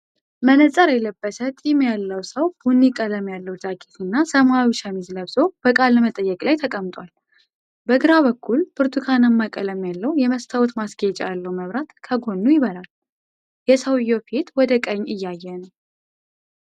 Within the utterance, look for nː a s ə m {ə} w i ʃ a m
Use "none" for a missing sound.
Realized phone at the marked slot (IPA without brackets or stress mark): a